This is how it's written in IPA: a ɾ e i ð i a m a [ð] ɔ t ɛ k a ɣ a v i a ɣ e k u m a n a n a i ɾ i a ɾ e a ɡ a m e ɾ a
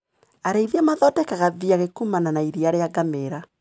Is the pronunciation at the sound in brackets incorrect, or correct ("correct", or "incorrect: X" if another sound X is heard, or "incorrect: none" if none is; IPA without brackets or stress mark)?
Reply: correct